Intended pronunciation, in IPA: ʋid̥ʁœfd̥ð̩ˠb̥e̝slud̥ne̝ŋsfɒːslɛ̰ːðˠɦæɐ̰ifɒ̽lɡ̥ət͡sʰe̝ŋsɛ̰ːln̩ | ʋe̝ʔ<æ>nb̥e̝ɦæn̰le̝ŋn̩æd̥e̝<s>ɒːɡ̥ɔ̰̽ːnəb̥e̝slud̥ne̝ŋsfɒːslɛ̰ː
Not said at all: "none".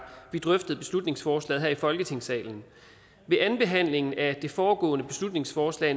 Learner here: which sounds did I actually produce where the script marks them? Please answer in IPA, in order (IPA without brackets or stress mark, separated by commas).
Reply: æ, f